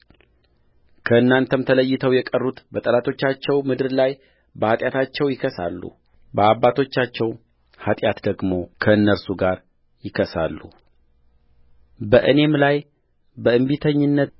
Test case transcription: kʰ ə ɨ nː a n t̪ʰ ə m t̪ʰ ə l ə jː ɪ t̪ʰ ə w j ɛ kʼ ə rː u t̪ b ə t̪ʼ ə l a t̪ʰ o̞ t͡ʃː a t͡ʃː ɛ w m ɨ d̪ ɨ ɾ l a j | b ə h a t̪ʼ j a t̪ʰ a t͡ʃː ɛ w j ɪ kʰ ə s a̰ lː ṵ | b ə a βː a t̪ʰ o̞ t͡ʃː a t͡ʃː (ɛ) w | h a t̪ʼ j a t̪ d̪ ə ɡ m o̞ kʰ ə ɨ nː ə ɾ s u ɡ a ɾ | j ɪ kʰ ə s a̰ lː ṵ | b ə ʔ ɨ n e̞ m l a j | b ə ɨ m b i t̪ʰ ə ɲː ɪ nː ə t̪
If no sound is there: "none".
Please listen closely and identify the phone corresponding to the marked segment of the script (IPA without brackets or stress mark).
ɛ